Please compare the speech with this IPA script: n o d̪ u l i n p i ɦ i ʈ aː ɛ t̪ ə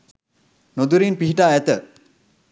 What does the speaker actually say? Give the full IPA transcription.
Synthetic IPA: n o d̪ u ɾ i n p i ɦ i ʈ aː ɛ t̪ ə